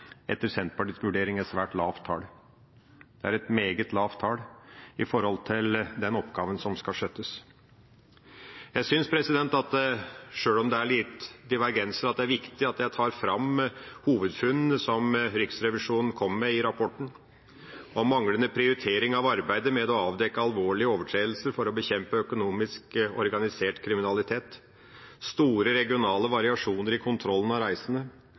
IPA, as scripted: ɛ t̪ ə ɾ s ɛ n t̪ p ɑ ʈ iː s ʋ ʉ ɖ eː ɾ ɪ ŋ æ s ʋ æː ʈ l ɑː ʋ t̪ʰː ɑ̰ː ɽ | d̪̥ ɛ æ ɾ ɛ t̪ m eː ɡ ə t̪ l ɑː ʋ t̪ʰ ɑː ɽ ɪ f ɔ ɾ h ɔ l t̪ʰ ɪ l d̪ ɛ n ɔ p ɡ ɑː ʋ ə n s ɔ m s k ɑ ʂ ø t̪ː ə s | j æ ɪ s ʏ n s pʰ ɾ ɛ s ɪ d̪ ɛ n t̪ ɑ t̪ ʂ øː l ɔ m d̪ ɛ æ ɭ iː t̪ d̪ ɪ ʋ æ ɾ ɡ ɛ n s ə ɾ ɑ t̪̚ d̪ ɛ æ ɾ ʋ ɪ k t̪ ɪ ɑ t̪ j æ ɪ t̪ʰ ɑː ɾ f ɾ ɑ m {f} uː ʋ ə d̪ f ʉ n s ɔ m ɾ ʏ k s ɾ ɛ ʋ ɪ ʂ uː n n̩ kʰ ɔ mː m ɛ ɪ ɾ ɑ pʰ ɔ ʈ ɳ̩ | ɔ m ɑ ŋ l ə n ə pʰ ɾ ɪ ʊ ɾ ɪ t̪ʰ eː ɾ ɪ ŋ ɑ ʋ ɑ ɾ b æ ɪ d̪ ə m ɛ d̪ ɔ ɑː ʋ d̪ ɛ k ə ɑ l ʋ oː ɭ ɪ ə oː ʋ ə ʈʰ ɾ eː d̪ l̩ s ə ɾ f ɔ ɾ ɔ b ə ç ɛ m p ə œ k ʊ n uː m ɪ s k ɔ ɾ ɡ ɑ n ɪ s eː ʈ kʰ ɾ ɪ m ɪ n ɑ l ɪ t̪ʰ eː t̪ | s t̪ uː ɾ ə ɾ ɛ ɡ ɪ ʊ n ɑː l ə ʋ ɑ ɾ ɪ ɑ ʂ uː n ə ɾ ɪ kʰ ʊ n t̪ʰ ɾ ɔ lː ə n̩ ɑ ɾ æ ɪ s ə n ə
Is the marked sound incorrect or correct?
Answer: incorrect: h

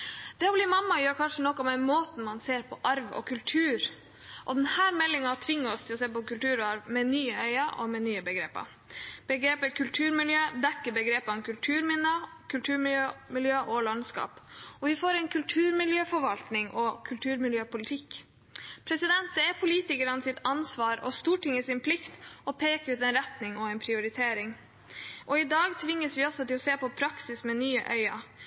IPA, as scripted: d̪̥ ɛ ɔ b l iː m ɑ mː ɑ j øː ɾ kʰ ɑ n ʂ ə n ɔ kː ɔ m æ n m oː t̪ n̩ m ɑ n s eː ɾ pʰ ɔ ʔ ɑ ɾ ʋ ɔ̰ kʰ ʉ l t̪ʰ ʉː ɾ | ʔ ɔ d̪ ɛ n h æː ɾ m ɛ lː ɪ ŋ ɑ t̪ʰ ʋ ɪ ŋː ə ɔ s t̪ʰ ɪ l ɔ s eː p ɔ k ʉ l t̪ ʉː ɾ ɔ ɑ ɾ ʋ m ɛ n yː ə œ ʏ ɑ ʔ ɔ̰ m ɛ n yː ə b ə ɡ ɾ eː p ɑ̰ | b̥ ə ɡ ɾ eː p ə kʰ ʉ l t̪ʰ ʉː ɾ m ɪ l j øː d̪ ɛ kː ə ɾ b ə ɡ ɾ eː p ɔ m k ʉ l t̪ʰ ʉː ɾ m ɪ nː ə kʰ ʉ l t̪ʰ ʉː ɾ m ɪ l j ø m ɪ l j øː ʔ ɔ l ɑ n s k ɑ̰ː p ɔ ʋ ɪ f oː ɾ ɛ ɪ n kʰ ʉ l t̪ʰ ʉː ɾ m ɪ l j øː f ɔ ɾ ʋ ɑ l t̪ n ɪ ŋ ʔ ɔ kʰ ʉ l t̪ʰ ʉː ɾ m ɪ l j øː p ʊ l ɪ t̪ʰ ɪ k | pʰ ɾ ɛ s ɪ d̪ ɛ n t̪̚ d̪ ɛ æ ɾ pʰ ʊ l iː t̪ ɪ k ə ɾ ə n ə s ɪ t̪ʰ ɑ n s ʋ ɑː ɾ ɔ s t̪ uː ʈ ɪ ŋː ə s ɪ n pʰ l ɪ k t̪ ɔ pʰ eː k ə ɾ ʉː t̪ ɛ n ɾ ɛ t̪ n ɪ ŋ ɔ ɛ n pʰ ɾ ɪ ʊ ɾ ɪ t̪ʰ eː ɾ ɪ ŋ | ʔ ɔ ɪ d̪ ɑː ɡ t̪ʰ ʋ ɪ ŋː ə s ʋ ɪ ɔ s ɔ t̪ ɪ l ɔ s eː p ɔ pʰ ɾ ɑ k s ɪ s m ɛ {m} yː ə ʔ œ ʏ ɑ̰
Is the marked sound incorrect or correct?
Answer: incorrect: n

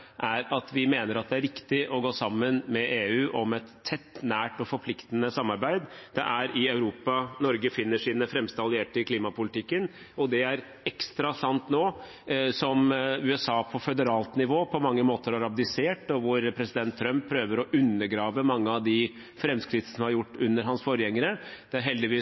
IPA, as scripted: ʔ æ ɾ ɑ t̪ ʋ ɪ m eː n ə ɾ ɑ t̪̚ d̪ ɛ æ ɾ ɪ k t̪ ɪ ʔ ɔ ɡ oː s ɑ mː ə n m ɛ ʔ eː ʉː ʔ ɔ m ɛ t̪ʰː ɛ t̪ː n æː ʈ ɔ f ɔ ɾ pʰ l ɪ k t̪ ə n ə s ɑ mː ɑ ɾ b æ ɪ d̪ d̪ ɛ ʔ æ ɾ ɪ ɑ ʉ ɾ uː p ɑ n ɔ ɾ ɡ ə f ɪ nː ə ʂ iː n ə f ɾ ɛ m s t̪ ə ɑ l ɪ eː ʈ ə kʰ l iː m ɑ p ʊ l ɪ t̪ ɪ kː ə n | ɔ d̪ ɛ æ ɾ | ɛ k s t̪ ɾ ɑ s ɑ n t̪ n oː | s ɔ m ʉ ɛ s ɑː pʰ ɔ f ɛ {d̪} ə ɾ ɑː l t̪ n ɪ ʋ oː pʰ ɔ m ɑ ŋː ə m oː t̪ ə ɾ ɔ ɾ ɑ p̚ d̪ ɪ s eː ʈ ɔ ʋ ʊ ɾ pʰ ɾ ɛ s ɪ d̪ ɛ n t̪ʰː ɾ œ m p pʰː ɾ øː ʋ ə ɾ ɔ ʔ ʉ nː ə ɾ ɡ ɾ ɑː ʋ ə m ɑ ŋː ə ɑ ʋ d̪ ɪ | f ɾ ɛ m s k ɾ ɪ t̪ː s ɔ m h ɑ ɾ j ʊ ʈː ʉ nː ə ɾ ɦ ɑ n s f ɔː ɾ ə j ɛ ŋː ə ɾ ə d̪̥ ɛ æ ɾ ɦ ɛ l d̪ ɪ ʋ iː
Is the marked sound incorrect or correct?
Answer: correct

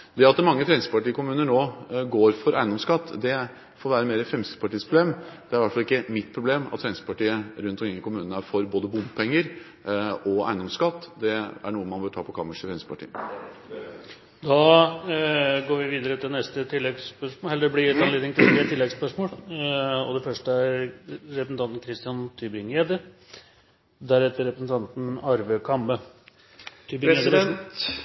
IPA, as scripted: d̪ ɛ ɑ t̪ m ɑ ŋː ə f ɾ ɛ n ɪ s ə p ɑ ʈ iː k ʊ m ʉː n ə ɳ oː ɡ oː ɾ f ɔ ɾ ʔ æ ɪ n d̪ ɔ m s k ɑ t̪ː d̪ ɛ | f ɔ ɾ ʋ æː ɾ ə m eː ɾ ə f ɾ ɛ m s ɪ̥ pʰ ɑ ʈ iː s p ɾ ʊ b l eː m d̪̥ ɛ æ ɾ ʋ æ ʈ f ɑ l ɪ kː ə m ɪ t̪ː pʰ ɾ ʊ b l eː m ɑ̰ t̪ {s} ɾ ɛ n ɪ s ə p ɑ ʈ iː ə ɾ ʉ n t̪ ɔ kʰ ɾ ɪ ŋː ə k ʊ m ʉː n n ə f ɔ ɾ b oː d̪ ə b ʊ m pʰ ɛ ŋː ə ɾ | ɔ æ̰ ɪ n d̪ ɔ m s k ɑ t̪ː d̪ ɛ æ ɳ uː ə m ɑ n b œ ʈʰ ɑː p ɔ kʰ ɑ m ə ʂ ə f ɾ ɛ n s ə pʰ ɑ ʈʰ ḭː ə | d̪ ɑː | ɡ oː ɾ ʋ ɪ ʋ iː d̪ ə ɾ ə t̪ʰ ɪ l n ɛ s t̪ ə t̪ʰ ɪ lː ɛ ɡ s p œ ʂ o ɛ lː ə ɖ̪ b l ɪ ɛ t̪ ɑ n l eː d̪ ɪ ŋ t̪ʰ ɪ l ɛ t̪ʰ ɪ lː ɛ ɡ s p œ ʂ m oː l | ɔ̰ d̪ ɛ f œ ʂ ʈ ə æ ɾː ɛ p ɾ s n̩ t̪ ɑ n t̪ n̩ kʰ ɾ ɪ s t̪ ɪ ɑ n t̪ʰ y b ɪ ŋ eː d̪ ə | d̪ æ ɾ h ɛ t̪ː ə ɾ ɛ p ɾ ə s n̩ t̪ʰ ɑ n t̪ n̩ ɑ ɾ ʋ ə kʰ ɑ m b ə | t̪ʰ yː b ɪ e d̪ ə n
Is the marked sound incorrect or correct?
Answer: incorrect: f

